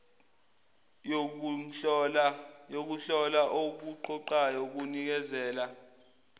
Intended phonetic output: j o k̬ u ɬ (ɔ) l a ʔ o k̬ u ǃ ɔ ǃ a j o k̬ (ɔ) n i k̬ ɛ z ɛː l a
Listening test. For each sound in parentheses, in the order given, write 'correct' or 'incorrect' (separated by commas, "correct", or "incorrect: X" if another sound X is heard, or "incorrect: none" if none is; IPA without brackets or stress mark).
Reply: correct, incorrect: u